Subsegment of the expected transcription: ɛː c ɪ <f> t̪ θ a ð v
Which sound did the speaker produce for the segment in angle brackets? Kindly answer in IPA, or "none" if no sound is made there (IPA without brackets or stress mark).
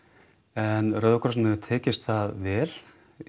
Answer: s